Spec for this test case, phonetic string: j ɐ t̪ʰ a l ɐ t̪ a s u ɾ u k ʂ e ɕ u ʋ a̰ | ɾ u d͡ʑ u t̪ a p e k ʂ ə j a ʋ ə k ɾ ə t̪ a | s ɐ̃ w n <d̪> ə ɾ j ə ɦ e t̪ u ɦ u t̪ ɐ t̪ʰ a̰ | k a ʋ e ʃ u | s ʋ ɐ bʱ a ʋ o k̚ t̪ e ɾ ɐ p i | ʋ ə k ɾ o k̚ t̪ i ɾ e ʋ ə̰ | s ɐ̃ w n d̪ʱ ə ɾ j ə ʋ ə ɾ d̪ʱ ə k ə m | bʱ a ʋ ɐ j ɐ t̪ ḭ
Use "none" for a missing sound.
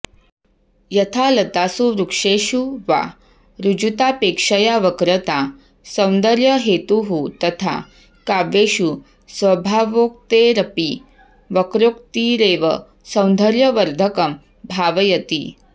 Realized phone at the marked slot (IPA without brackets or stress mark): d̪